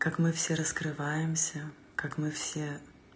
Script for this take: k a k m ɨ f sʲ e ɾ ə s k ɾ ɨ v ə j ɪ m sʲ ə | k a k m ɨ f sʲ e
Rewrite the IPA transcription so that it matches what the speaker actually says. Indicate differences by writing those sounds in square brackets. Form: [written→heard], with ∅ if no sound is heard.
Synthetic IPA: k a k m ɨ f sʲ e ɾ ə s k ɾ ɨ v [ə→a] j ɪ m sʲ ə | k a k m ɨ f sʲ e